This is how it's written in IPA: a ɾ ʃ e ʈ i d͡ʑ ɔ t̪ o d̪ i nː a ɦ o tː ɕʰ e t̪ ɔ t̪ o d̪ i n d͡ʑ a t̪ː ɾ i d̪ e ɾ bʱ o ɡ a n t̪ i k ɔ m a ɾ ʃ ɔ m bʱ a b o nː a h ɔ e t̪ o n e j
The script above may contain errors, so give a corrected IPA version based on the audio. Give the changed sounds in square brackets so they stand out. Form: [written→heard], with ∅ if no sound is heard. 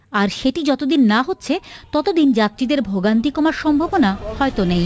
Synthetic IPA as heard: a ɾ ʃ e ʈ i d͡ʑ ɔ t̪ o d̪ i nː a ɦ o tː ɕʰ e t̪ ɔ t̪ o d̪ i n d͡ʑ a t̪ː ɾ i d̪ e ɾ bʱ o ɡ a n t̪ i k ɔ m a ɾ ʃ ɔ m bʱ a b o [nː→n] a h ɔ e t̪ o n e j